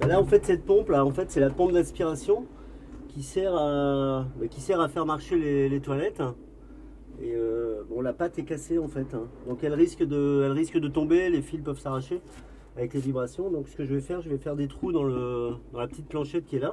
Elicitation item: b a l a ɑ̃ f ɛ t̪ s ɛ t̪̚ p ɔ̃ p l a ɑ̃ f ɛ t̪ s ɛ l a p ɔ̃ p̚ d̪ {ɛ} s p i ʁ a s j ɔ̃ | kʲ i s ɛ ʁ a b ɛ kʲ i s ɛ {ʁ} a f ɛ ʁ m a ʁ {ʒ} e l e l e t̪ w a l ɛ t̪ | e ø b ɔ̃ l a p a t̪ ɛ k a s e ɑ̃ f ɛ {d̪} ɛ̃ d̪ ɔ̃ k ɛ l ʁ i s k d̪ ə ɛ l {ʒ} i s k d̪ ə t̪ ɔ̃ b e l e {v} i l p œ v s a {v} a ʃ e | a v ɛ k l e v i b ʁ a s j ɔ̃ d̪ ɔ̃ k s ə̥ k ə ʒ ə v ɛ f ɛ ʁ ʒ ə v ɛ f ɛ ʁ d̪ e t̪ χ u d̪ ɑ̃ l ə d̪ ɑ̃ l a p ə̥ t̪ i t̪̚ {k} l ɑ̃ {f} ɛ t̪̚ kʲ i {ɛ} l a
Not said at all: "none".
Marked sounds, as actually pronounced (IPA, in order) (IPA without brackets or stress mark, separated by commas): ɛ̃, ʁ, ʃ, t̪, ʁ, f, ʁ, p, ʃ, ɛ